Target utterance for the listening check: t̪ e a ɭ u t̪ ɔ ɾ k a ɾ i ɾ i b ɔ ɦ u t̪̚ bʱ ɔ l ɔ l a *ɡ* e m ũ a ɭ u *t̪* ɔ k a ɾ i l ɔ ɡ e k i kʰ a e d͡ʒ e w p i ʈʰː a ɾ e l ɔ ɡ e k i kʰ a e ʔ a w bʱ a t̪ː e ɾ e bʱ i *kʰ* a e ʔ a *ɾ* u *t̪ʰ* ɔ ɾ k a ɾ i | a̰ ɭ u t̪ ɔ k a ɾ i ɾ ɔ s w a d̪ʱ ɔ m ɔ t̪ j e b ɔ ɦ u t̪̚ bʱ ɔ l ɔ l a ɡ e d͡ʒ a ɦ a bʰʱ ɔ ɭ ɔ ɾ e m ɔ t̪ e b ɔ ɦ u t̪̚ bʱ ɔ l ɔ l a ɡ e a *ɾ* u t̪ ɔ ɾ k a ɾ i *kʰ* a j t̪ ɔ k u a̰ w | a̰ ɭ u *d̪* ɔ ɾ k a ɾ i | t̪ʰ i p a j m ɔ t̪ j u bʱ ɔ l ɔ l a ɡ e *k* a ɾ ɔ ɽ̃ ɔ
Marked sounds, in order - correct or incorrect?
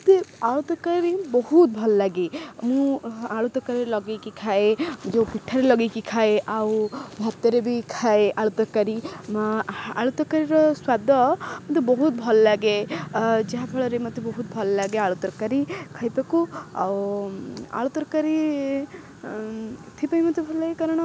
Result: correct, correct, correct, incorrect: ɭ, incorrect: t̪, incorrect: ɭ, correct, incorrect: t̪, correct

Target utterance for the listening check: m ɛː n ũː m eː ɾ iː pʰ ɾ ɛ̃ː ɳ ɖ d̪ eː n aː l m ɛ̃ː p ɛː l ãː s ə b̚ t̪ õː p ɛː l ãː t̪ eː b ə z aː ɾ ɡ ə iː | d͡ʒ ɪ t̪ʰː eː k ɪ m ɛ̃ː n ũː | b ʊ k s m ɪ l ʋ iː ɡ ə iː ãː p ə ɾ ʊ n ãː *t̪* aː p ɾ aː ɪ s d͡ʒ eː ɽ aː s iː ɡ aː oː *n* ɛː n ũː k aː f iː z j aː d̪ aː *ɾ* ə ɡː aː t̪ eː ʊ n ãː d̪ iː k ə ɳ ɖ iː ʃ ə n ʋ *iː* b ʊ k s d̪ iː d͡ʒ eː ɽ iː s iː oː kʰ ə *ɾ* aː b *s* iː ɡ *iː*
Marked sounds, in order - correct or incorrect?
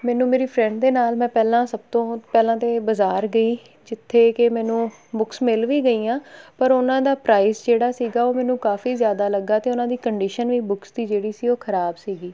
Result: incorrect: d̪, incorrect: m, incorrect: l, correct, correct, correct, correct

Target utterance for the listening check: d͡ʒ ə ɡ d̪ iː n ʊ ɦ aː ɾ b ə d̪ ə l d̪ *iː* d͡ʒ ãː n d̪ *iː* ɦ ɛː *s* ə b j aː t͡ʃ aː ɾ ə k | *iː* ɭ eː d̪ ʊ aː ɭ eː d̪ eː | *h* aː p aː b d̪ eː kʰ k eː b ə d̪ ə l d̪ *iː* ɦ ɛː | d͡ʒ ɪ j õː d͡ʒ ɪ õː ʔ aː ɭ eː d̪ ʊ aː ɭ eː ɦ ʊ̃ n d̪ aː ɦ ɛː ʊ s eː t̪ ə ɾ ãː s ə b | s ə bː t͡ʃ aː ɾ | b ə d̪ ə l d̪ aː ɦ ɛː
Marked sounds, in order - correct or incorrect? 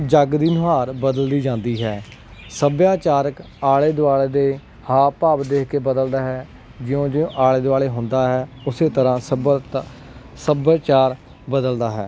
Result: correct, correct, correct, incorrect: aː, correct, incorrect: aː

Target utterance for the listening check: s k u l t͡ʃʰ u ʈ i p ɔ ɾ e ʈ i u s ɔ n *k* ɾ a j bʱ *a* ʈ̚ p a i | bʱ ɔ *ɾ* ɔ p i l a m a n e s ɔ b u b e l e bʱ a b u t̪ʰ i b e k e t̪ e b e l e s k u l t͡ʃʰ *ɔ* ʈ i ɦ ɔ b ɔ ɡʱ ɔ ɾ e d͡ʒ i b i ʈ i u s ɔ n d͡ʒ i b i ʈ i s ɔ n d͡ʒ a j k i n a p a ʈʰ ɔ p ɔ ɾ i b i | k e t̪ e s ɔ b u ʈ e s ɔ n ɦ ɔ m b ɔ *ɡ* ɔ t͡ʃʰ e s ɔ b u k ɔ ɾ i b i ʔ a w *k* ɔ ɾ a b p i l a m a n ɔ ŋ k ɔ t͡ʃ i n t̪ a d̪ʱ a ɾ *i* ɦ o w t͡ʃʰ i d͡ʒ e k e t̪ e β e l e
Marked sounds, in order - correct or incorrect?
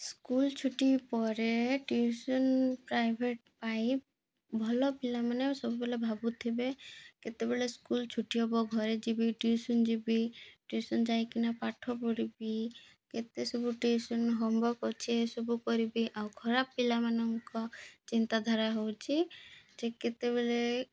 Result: incorrect: p, incorrect: e, incorrect: l, incorrect: u, incorrect: k, incorrect: kʰ, incorrect: a

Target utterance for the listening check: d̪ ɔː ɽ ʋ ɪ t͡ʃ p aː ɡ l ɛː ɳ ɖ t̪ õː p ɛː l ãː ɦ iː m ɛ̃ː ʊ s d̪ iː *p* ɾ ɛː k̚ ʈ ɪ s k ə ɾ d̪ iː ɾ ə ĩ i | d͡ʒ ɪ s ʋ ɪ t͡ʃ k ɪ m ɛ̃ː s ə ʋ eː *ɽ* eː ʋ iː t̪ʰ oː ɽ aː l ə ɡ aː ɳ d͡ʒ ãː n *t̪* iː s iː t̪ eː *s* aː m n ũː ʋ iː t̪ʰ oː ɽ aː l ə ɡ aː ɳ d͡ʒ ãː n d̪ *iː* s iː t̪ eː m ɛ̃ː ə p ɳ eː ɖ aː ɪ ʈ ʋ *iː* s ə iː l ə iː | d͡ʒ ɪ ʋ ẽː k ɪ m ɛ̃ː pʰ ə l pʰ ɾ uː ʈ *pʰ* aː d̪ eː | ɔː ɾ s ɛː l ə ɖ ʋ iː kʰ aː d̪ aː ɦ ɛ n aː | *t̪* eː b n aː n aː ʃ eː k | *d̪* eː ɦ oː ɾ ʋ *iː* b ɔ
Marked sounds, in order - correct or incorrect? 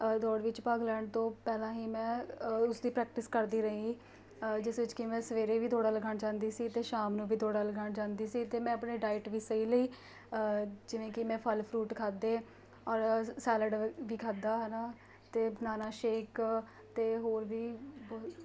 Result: correct, incorrect: ɾ, incorrect: d̪, incorrect: ʃ, correct, correct, incorrect: kʰ, correct, incorrect: t̪, correct

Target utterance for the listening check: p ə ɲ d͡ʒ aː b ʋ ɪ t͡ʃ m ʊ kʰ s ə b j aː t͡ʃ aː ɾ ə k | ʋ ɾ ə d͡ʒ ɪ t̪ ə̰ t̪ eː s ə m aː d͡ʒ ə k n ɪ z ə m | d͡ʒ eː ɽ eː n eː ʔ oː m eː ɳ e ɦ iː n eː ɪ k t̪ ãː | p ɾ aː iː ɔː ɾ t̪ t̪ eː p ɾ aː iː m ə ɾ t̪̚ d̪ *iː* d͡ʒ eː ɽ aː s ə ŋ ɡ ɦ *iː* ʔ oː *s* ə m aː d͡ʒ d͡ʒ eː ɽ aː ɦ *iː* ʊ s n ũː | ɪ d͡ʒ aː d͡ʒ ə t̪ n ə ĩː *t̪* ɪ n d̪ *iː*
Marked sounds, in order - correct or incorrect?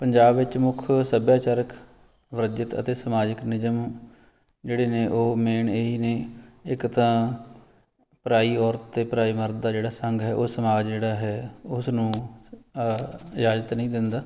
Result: incorrect: aː, incorrect: ɛː, correct, incorrect: ɛː, incorrect: d̪, incorrect: aː

